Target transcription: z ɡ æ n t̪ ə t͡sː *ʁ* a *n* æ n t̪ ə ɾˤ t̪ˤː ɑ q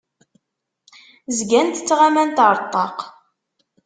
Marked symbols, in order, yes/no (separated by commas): yes, no